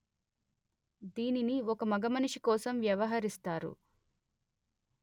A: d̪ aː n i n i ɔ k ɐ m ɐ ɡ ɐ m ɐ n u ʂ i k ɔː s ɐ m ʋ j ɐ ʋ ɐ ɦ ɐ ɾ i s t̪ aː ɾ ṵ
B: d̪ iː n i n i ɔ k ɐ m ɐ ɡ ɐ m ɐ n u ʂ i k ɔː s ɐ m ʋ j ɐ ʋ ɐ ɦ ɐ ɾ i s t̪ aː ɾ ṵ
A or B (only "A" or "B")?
B